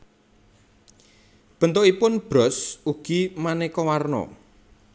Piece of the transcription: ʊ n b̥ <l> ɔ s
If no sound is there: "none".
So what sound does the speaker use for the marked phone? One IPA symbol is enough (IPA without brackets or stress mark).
ɾ